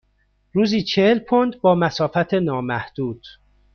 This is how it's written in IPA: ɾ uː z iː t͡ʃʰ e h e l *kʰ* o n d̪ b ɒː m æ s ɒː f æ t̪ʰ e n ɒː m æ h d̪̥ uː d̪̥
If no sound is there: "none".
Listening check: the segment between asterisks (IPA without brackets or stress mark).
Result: pʰ